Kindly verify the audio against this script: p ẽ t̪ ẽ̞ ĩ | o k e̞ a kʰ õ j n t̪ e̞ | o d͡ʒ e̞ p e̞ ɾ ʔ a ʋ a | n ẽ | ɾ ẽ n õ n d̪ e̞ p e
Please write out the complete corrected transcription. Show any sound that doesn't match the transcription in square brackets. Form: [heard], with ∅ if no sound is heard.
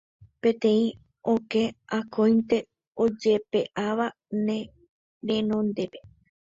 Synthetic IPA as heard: p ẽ t̪ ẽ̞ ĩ | o k e̞ a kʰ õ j n t̪ e̞ | o d͡ʒ e̞ p e̞ [∅] ʔ a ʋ a | n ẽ | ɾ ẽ n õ n d̪ e̞ p e